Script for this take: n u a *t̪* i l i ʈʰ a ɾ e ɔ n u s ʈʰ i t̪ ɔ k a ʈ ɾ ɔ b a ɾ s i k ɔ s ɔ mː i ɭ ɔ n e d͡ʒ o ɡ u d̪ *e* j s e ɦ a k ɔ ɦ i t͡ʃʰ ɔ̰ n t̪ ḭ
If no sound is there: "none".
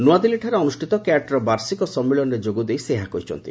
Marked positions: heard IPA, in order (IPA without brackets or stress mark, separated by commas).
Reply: d̪, e